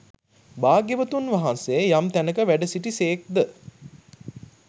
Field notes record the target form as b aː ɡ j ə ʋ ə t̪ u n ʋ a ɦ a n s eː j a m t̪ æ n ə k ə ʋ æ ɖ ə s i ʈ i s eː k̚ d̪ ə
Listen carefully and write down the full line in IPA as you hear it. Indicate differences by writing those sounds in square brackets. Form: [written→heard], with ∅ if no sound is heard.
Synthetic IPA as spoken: b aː ɡ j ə ʋ ə t̪ u n ʋ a ɦ a n s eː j a m t̪ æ n ə k ə ʋ æ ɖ ə s i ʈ i s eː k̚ d̪ ə